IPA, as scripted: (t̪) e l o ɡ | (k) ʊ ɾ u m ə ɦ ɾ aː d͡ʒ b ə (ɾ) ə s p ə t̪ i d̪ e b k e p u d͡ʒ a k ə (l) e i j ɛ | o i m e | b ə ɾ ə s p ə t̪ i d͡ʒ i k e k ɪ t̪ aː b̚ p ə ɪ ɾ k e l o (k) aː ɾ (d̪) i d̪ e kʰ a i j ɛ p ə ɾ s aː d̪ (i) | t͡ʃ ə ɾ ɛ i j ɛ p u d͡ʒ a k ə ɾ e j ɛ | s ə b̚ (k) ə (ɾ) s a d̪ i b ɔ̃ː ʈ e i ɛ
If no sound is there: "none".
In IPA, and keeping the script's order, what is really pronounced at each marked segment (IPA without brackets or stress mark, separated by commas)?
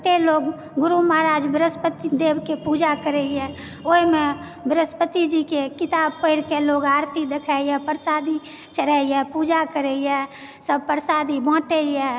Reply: t̪, ɡ, ɾ, ɾ, ɡ, t̪, i, p, ɾ